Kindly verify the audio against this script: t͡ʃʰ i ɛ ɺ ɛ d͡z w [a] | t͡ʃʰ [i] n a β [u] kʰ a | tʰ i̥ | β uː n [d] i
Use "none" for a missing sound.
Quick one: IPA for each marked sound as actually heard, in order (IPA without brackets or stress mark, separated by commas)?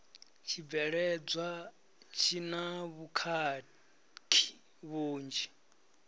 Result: a, i, u, d͡ʒ